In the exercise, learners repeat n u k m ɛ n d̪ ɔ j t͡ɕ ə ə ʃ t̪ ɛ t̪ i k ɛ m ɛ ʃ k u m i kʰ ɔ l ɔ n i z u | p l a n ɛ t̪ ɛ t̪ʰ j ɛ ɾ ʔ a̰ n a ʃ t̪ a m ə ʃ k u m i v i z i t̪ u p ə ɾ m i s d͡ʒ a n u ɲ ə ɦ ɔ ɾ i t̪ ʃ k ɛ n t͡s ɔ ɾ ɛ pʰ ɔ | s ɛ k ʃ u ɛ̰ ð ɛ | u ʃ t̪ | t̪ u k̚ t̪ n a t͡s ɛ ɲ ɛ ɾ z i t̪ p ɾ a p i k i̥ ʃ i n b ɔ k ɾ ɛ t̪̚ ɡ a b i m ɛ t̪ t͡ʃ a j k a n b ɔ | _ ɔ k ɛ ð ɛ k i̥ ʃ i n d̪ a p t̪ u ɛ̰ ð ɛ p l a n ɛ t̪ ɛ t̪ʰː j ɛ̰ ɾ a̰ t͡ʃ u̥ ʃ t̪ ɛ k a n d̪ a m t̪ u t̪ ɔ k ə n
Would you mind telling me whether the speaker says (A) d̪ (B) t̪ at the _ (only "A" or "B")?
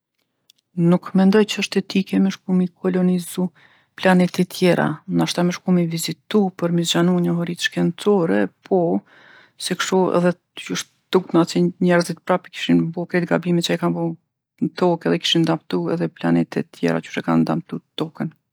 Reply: B